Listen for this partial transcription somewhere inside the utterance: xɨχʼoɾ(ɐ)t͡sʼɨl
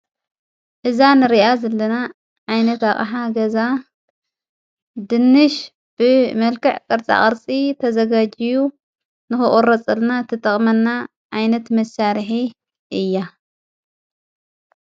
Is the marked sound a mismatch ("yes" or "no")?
no